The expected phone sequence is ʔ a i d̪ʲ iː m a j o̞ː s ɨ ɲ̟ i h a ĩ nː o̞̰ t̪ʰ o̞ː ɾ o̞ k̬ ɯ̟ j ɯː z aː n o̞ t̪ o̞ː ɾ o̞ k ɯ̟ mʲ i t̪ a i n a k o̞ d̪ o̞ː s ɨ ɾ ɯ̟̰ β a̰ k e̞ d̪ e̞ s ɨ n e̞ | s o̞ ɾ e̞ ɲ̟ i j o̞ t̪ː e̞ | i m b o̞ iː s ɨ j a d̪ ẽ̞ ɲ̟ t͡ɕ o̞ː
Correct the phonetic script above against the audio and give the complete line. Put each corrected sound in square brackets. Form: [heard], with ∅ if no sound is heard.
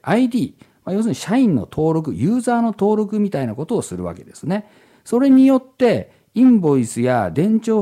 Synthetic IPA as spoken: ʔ a i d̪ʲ iː m a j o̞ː s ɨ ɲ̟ i [ɕ] a ĩ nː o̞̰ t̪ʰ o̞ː ɾ o̞ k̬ ɯ̟ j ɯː z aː n o̞ t̪ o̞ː ɾ o̞ k ɯ̟ mʲ i t̪ a i n a k o̞ [t̪] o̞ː s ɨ ɾ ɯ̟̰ β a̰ k e̞ d̪ e̞ s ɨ n e̞ | s o̞ ɾ e̞ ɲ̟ i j o̞ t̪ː e̞ | [ĩ] m b o̞ [i] s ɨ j a d̪ ẽ̞ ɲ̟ t͡ɕ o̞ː